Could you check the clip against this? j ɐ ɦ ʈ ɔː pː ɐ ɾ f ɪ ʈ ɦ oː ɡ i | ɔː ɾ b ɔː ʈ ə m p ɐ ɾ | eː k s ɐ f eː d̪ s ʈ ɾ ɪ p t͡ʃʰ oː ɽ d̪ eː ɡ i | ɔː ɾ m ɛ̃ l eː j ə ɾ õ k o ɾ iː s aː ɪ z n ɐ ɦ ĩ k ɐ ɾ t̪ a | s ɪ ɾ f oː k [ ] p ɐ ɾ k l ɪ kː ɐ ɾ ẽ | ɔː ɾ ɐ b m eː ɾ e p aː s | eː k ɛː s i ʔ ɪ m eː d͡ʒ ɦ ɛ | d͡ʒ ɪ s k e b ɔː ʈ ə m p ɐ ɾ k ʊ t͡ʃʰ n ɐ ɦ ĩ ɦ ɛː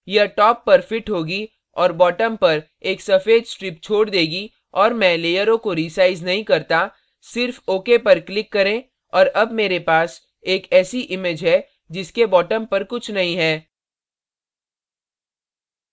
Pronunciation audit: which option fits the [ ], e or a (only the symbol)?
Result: e